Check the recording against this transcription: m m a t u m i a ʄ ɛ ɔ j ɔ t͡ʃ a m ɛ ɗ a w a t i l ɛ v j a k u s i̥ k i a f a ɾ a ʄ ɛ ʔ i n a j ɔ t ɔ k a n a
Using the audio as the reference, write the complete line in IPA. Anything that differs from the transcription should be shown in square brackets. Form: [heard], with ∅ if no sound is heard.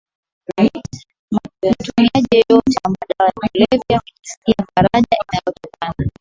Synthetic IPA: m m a t u m i a ʄ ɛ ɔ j ɔ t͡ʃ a m [a] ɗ a w a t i l ɛ v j a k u s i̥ k i a f a ɾ a ʄ [a] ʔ i n a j ɔ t ɔ k a n a